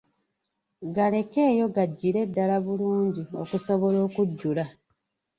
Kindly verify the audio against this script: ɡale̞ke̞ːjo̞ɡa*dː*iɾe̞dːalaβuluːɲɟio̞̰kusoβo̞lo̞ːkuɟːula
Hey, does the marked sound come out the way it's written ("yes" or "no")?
no